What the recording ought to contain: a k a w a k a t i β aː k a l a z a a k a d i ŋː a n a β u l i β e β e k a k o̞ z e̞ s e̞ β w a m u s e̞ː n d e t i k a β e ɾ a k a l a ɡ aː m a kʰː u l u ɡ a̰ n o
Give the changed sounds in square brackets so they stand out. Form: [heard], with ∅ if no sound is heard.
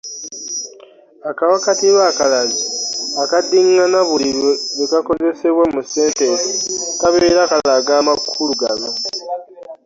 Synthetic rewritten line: a k a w a k a t i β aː k a l a z [i] a k a d i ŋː a n a β u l i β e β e k a k o̞ z e̞ s e̞ β w a m u s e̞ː n [t] e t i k a β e ɾ a k a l a ɡ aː m a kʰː u l u ɡ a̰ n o